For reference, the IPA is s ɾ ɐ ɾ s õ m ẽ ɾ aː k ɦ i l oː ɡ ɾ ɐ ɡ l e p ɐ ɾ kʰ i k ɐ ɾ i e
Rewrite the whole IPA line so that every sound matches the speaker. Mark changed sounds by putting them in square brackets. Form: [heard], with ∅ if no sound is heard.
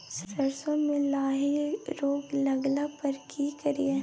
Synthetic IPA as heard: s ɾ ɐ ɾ s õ m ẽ [l] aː [∅] ɦ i [ɾ] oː ɡ [l] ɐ ɡ l [a] p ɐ ɾ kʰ i k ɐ ɾ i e